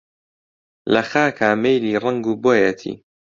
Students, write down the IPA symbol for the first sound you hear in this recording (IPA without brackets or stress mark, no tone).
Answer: l